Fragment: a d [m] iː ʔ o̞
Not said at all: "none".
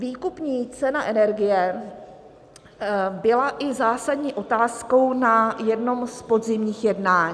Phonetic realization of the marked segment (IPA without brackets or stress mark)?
ɲ